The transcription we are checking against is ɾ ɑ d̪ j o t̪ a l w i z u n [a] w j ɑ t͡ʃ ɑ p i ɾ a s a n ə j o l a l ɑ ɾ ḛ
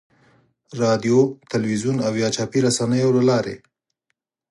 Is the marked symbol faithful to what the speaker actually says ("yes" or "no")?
yes